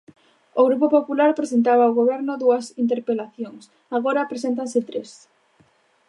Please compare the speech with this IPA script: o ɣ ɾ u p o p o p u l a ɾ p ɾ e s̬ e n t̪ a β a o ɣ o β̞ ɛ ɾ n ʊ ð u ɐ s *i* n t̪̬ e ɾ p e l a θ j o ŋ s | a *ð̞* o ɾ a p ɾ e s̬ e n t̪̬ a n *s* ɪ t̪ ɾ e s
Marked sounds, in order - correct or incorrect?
correct, incorrect: ɣ̞, correct

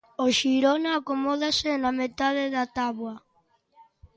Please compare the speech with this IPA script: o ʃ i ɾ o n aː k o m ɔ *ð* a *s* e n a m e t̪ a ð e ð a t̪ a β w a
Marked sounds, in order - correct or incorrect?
correct, correct

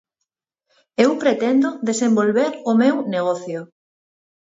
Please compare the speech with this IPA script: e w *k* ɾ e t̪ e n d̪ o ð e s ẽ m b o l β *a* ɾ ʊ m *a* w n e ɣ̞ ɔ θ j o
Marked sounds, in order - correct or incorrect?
incorrect: p, incorrect: e, incorrect: e

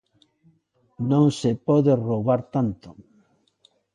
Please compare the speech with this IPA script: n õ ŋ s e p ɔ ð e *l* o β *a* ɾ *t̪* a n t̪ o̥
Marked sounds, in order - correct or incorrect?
incorrect: r, correct, correct

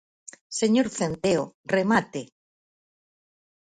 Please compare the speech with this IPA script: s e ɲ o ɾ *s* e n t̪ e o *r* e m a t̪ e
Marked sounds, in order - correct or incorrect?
incorrect: θ, correct

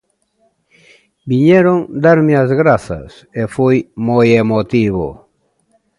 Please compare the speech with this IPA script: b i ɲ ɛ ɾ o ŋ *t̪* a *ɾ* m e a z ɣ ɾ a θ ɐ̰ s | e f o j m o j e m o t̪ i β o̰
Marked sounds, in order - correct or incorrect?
incorrect: d̪, correct

